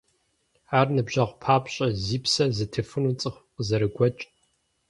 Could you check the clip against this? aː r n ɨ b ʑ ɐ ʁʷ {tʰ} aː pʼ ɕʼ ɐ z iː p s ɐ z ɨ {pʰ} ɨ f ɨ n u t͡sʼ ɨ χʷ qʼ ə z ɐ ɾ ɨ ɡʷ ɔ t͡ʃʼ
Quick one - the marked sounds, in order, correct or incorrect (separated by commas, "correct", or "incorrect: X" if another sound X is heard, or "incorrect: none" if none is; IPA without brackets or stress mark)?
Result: incorrect: pʰ, incorrect: tʰ